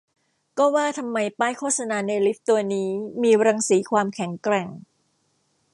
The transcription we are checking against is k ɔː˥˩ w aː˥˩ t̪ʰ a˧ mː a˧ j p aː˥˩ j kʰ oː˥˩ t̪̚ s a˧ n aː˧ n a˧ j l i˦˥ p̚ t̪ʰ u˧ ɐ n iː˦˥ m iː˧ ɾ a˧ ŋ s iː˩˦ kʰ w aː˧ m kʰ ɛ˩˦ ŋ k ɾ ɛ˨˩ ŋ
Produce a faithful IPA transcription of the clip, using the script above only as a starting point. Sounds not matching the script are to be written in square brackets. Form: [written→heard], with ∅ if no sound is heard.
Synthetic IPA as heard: k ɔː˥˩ w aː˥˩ t̪ʰ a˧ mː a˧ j p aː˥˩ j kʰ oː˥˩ t̪̚ s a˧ n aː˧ n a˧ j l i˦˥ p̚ [t̪ʰ→t̪] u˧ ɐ n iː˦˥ m iː˧ ɾ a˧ ŋ s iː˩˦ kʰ w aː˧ m kʰ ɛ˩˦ ŋ k ɾ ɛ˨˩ ŋ